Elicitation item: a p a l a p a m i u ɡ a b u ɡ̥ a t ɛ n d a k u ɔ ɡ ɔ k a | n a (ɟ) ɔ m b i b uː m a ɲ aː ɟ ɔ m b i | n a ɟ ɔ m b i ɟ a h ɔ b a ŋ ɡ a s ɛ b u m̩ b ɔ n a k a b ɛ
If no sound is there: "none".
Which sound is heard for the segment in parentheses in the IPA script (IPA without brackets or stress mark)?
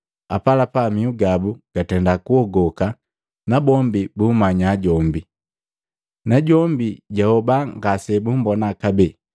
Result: b